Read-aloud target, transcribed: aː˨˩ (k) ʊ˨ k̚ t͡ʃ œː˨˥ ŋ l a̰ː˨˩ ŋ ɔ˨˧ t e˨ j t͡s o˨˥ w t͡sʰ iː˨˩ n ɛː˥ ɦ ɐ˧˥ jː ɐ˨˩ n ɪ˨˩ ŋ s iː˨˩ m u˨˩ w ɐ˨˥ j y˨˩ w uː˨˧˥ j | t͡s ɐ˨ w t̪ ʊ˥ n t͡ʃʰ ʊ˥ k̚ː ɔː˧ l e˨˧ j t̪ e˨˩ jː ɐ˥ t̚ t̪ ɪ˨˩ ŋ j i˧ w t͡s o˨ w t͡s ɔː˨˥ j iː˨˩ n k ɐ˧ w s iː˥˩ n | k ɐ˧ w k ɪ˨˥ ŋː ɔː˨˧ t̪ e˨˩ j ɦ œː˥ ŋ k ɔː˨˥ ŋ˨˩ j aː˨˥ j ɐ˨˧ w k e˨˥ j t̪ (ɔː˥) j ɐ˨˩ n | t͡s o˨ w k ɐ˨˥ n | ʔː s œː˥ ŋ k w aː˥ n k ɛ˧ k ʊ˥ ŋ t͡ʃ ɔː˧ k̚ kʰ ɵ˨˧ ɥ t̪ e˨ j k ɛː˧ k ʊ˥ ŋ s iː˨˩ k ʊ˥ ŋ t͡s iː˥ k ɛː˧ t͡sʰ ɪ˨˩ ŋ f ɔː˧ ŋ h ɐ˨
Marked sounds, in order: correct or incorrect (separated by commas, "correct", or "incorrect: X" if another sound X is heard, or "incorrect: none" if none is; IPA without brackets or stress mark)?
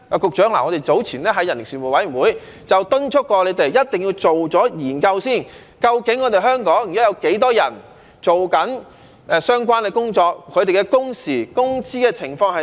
correct, correct